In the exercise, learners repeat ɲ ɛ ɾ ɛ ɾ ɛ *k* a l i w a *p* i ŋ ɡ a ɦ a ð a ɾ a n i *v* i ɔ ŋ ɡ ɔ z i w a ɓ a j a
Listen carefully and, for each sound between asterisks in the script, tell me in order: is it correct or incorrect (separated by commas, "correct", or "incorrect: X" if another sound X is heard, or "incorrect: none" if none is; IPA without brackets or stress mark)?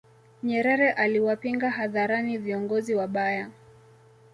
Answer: incorrect: ʔ, correct, correct